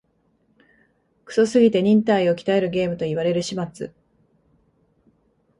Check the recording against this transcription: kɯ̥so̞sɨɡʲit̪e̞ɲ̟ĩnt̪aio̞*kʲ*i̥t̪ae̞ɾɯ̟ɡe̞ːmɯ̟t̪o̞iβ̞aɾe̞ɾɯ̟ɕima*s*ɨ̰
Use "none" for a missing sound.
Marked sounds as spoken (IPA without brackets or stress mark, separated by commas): kʲ, t͡s